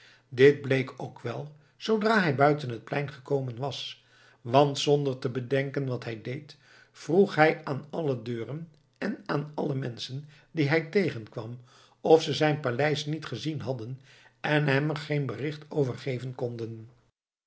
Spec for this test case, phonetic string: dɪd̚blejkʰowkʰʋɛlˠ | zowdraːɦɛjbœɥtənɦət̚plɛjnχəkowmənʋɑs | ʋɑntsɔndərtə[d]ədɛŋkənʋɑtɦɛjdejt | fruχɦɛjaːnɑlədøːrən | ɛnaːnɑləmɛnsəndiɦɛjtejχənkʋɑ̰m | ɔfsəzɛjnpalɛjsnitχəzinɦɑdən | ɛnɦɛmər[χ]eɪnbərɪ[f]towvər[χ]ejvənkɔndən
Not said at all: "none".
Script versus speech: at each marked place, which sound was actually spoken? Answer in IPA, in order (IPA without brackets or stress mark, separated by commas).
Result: b, χ, χ, χ